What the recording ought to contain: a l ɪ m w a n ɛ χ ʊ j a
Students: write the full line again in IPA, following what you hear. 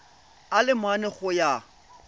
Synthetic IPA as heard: a l ɪ m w a n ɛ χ ʊ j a

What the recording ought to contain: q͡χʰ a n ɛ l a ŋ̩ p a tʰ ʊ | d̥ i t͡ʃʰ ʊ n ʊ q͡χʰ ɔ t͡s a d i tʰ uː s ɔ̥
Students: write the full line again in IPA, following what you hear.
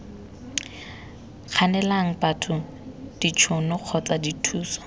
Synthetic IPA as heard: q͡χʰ a n ɛ l a ŋ̩ p a tʰ ʊ | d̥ i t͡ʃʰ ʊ n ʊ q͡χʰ ɔ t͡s a d i tʰ uː s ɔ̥

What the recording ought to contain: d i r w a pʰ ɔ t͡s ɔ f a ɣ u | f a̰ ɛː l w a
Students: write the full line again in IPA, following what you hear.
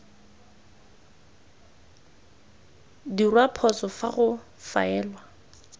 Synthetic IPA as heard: d i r w a pʰ ɔ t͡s ɔ f a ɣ ʊ | f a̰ ɛː l w a

